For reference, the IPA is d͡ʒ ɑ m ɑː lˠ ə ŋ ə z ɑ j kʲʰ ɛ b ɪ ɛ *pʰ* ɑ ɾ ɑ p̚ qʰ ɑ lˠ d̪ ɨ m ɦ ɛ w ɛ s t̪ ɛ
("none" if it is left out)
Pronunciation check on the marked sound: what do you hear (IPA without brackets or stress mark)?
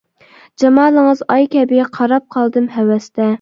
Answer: qʰ